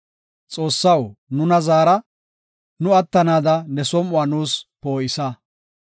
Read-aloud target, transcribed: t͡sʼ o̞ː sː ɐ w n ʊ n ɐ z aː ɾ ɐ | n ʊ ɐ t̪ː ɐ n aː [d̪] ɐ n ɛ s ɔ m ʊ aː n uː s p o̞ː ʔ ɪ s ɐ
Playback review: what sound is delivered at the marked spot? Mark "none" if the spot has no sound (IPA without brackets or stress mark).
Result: d̪